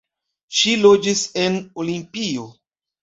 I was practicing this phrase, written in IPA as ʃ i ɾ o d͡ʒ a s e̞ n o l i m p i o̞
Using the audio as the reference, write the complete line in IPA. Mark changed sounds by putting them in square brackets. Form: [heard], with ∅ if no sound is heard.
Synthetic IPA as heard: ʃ i [l] o d͡ʒ [i] s e̞ n o l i m p i o̞